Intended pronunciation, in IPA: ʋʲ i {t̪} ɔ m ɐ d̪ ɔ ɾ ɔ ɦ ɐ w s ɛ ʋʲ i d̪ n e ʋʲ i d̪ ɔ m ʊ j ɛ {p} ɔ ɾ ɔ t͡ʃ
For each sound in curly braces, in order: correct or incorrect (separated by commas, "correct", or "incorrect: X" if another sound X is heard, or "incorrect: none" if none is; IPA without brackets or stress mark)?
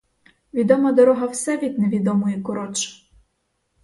incorrect: d̪, incorrect: k